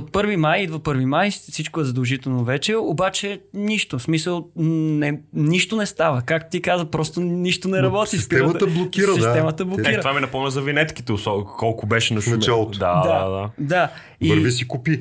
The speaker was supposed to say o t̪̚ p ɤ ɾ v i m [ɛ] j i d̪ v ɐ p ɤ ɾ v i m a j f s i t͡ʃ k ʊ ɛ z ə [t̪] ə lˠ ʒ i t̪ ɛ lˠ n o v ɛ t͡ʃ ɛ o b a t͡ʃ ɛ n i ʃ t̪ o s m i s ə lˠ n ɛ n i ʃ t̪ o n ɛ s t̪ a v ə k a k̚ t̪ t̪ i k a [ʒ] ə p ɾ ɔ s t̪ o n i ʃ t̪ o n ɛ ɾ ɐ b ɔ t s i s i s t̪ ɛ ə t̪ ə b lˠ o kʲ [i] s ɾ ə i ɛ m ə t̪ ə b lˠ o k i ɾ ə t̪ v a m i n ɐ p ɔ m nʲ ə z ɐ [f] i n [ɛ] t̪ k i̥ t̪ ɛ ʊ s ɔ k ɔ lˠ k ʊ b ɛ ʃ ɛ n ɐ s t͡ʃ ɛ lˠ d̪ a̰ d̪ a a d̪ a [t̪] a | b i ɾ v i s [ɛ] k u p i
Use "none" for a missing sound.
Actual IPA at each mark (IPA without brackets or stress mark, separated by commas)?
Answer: a, d̪, z, i, v, ɛ, d̪, i